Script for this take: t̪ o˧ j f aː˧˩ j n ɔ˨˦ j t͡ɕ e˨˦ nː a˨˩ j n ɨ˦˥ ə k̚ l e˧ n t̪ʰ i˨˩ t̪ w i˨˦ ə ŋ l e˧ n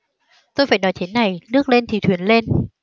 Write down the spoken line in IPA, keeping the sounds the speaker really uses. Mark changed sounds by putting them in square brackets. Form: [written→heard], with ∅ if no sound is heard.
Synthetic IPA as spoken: t̪ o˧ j f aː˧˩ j n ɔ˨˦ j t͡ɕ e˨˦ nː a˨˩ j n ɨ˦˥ ə k̚ l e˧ n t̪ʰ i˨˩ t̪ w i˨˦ ə [ŋ→n] l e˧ n